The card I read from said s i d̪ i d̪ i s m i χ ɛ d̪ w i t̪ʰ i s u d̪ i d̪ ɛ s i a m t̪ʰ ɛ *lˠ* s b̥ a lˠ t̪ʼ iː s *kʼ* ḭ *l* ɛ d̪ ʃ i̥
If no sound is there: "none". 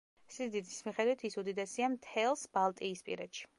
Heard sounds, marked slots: lˠ, pʼ, ɾ

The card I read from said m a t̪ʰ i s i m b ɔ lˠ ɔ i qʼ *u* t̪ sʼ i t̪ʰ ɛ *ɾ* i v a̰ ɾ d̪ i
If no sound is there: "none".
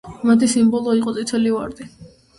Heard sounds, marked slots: ɔ, l

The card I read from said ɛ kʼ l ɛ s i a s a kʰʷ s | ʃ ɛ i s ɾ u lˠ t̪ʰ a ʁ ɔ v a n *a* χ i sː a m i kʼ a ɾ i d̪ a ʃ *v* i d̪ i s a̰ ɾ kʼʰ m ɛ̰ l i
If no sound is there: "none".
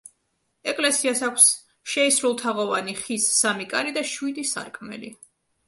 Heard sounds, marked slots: i, w

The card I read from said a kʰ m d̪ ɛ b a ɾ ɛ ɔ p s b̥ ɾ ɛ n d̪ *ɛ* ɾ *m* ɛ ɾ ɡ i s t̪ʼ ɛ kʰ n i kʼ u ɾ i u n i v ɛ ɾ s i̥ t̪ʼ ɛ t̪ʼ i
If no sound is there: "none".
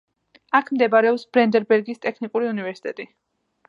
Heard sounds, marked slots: ɛ, b

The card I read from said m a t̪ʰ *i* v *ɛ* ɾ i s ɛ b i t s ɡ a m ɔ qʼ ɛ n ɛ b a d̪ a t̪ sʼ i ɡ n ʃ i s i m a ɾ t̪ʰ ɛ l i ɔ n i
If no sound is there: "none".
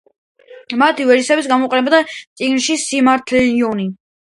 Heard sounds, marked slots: i, ɛ

